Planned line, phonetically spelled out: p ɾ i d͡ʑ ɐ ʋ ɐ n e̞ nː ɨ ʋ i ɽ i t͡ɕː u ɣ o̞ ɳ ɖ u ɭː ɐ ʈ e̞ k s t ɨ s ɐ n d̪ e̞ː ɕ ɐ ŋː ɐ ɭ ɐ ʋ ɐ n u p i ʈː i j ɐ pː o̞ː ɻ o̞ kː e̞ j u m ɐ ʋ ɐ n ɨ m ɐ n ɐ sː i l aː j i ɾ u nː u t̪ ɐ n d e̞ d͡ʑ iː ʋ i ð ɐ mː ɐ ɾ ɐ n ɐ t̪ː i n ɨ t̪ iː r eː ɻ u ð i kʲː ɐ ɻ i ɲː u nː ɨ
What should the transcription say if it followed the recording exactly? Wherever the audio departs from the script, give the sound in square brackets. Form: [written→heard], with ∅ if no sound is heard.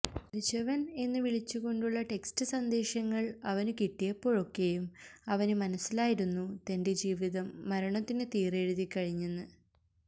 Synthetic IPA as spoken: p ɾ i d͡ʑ ɐ ʋ ɐ n e̞ nː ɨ ʋ i [ɽ→ɭ] i t͡ɕː u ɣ o̞ ɳ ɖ u ɭː ɐ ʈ e̞ k s t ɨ s ɐ n d̪ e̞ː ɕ ɐ ŋː ɐ ɭ ɐ ʋ ɐ n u [p→k] i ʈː i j ɐ pː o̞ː ɻ o̞ kː e̞ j u m ɐ ʋ ɐ n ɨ m ɐ n ɐ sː i l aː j i ɾ u nː u t̪ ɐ n d e̞ d͡ʑ iː ʋ i ð ɐ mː ɐ ɾ ɐ [n→ɳ] ɐ t̪ː i n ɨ t̪ iː r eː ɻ u ð i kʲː ɐ ɻ i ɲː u nː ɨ